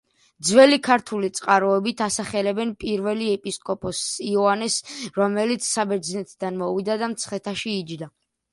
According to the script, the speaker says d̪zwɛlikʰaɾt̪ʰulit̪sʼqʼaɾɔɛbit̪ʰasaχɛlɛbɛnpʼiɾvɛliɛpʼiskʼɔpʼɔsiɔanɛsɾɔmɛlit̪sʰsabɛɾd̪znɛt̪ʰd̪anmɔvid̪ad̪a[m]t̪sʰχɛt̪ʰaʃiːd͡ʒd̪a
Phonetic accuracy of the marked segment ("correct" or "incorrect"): correct